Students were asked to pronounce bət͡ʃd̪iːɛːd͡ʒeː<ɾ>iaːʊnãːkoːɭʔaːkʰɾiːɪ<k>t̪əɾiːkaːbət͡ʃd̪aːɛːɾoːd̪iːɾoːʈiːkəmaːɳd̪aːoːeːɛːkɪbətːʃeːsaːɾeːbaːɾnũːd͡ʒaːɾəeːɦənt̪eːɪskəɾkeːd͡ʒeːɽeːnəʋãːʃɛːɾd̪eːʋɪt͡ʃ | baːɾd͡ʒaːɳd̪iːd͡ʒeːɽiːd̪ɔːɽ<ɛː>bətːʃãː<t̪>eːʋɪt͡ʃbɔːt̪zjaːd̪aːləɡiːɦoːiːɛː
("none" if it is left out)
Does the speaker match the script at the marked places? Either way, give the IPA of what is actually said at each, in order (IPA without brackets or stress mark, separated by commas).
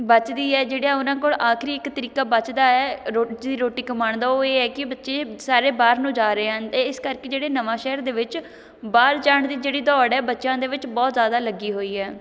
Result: ɽ, k, ɛː, d̪